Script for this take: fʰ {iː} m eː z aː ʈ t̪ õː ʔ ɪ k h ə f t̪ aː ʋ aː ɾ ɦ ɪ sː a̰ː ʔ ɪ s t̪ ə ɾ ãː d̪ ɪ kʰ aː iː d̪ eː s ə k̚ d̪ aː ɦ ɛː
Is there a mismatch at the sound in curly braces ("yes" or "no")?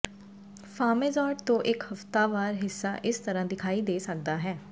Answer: yes